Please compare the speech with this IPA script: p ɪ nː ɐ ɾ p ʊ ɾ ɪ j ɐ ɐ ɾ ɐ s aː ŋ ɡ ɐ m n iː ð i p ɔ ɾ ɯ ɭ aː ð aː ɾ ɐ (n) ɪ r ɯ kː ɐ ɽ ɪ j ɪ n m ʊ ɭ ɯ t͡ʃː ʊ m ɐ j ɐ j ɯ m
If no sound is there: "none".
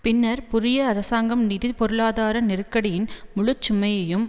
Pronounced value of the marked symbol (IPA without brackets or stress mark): n